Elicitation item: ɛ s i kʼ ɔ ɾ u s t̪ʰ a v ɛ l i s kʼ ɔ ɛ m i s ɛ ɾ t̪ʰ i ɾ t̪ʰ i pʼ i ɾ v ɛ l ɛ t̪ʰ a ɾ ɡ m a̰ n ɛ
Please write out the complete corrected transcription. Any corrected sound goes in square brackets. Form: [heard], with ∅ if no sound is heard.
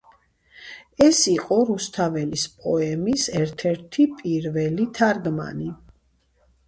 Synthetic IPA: ɛ s i [qʼ] ɔ ɾ u s t̪ʰ a v ɛ l i s [pʼ] ɔ ɛ m i s ɛ ɾ t̪ʰ [ɛ] ɾ t̪ʰ i pʼ i ɾ v ɛ l [i] t̪ʰ a ɾ ɡ m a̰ n [i]

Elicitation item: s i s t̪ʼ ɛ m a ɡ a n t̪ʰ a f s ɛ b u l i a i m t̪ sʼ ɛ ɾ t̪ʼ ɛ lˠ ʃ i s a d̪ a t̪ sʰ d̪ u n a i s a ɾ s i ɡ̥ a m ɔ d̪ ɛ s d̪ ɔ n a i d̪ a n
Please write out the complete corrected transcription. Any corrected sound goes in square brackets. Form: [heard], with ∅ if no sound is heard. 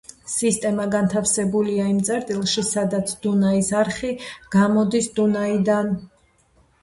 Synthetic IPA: s i s t̪ʼ ɛ m a ɡ a n t̪ʰ a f s ɛ b u l i a i m t̪ sʼ ɛ ɾ t̪ʼ [i] lˠ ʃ i s a d̪ a t̪ sʰ d̪ u n a i s a ɾ [χ] i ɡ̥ a m ɔ d̪ [i] s d̪ [u] n a i d̪ a n

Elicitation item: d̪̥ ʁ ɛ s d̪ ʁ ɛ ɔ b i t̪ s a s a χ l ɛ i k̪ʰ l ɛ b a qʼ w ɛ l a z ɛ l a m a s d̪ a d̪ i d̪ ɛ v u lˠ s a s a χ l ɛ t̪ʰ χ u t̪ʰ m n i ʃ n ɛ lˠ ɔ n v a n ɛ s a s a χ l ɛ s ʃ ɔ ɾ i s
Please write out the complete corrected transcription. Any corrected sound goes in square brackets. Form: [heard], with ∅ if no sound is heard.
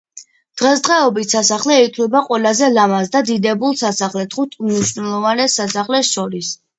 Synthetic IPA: d̪̥ ʁ ɛ s d̪ ʁ ɛ ɔ b i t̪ s a s a χ l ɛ i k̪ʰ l ɛ b a qʼ w ɛ l a z ɛ l a m a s d̪ a d̪ i d̪ ɛ [b] u lˠ s a s a χ l ɛ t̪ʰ χ u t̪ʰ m n i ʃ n ɛ lˠ ɔ [∅] v a n ɛ s a s a χ l ɛ s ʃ ɔ ɾ i s

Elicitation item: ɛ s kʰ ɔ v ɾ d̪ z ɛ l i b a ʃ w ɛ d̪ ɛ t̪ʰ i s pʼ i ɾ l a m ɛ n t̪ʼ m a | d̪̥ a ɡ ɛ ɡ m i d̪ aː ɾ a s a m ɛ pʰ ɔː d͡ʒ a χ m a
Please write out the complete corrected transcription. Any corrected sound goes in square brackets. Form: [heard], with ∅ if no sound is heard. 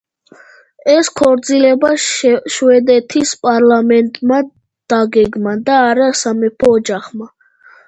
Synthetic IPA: ɛ s kʰ ɔ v ɾ d̪ z [i] l [ɛ] b a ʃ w ɛ d̪ ɛ t̪ʰ i s pʼ [a] ɾ l a m ɛ n t̪ʼ m a | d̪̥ a ɡ ɛ ɡ m [a] d̪ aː ɾ a s a m ɛ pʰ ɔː d͡ʒ a χ m a

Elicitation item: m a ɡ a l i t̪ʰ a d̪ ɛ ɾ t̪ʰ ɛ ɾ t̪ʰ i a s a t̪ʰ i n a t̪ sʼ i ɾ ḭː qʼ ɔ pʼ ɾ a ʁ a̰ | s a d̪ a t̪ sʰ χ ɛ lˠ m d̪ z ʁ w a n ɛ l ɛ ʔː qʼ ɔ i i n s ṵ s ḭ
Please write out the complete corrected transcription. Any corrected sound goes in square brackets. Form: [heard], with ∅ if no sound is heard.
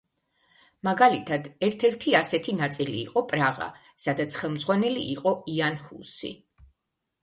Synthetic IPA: m a ɡ a l i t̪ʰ a d̪ ɛ ɾ t̪ʰ ɛ ɾ t̪ʰ i a s [ɛ] t̪ʰ i n a t̪ sʼ i [l] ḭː qʼ ɔ pʼ ɾ a ʁ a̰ | s a d̪ a t̪ sʰ χ ɛ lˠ m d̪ z ʁ w a n ɛ l [i] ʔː qʼ ɔ i [a] n [h] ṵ s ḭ

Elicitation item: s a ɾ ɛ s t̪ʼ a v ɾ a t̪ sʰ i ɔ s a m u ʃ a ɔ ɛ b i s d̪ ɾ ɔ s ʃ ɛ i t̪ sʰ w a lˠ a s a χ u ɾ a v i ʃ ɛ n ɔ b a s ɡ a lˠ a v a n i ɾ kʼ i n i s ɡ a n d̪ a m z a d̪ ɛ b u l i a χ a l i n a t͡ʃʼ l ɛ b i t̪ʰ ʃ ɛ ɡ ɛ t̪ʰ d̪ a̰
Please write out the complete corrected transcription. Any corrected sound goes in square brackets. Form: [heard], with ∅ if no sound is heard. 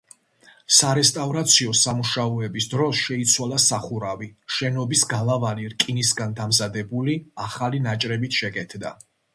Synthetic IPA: s a ɾ ɛ s t̪ʼ a v ɾ a t̪ sʰ i ɔ s a m u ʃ a ɔ ɛ b i s d̪ ɾ ɔ s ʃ ɛ i t̪ sʰ w a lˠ a s a χ u ɾ a v i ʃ ɛ n ɔ b [i] s ɡ a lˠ a v a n i ɾ kʼ i n i s ɡ a n d̪ a m z a d̪ ɛ b u l i a χ a l i n a t͡ʃʼ [ɾ] ɛ b i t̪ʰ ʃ ɛ ɡ ɛ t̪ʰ d̪ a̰

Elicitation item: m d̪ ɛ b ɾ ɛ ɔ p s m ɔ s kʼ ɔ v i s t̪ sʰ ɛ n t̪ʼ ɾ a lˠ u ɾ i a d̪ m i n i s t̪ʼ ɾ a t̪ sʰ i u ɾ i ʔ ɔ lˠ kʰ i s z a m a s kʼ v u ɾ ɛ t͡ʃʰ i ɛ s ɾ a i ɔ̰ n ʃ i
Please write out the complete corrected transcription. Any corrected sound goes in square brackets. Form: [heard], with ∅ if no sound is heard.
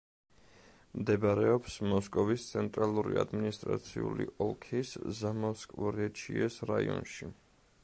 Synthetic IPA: m d̪ ɛ b ɾ ɛ ɔ p s m ɔ s kʼ ɔ v i s t̪ sʰ ɛ n t̪ʼ ɾ a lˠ u ɾ i a d̪ m i n i s t̪ʼ ɾ a t̪ sʰ i u [l] i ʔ ɔ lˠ kʰ i s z a m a s kʼ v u ɾ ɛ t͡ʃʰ i ɛ s ɾ a i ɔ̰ n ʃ i

